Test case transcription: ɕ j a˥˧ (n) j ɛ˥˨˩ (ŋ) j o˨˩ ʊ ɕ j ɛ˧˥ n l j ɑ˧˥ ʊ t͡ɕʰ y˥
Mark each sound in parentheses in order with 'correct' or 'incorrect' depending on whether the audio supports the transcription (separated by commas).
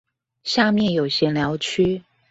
incorrect, incorrect